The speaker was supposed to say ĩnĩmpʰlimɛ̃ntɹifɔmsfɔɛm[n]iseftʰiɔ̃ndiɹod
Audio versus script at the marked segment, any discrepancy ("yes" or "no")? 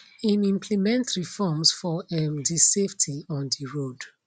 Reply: yes